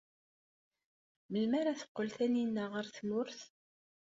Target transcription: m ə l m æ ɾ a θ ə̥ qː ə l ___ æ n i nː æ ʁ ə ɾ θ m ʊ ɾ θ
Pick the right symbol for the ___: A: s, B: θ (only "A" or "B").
B